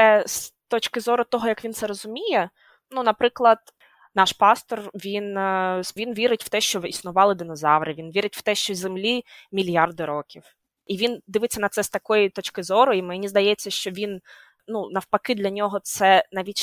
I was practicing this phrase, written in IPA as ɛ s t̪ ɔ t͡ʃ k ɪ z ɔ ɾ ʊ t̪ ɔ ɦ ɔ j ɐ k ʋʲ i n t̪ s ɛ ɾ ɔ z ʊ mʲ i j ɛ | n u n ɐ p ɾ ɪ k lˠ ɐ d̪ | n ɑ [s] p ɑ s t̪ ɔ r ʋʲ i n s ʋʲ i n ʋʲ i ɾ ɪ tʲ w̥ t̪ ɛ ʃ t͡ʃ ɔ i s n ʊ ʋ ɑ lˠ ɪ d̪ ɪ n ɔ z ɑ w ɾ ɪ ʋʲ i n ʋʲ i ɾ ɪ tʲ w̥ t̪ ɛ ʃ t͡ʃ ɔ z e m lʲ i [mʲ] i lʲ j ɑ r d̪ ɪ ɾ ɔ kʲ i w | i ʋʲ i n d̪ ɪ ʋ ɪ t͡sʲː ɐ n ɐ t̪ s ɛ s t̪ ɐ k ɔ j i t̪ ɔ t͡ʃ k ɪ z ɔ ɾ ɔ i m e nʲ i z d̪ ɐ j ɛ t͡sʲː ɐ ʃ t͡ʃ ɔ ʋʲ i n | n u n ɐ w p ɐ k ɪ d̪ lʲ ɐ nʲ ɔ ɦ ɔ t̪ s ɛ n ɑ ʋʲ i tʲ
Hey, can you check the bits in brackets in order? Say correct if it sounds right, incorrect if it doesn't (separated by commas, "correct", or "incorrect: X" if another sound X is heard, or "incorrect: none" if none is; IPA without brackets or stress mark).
incorrect: ʃ, correct